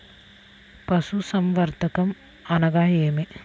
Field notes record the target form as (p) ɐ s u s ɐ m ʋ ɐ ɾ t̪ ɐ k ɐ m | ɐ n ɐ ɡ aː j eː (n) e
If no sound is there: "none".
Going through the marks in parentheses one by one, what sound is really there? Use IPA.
p, m

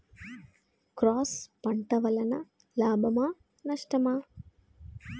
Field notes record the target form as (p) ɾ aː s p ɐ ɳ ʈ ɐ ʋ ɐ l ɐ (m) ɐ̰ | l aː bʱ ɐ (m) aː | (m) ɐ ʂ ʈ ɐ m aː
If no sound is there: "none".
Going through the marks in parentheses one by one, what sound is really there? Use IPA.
k, n, m, n

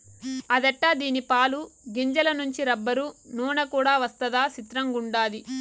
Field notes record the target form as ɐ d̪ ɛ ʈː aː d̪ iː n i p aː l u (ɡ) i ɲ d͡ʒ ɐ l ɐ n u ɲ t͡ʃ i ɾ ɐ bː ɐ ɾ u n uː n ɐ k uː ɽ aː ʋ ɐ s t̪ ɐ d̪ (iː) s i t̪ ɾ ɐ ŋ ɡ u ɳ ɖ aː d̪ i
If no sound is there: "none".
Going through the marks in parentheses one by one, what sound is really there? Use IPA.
ɡ, aː

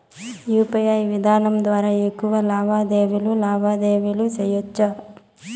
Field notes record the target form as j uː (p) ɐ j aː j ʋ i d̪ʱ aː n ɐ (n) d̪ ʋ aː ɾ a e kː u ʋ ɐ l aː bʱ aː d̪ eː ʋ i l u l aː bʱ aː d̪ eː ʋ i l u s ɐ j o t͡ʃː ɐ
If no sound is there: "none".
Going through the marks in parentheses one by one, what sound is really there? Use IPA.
p, m

